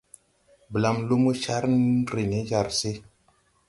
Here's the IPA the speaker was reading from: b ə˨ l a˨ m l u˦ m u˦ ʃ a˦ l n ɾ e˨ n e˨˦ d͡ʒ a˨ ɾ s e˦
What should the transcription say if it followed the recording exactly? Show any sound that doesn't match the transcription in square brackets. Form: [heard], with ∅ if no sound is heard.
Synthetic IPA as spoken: b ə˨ l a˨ m l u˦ m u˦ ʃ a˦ [ɾ] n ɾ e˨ n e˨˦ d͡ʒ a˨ ɾ s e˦